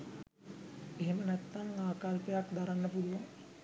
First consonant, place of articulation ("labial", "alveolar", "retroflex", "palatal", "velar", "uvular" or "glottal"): glottal